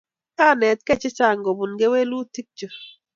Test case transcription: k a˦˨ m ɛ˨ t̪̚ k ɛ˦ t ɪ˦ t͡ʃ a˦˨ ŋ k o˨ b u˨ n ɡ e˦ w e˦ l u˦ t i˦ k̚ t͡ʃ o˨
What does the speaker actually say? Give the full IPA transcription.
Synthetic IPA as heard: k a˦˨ n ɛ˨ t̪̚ k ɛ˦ t͡ʃ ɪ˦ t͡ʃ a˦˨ ŋ ɡ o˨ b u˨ n ɡ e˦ w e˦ l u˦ t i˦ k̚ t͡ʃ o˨